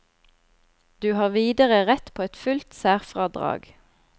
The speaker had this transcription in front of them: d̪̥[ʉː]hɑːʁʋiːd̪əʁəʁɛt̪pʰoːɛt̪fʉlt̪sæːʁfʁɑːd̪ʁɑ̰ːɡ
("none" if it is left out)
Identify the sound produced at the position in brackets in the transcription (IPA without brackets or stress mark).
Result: ʉː